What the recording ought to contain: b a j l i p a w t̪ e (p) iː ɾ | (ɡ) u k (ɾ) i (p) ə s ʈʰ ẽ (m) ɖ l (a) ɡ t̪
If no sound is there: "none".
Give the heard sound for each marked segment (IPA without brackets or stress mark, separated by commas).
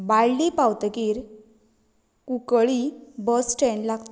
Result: k, k, ɭ, b, ɳ, a